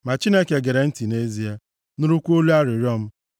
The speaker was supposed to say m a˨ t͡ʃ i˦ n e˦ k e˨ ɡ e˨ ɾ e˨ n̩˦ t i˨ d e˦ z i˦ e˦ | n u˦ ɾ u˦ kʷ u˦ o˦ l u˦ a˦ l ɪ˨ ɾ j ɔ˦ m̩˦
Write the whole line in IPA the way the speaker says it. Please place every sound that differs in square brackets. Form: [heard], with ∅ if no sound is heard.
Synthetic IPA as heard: m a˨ t͡ʃ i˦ n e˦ k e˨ ɡ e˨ ɾ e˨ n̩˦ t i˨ [n] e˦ z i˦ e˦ | n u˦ ɾ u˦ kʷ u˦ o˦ l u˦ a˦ [ɾ] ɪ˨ ɾ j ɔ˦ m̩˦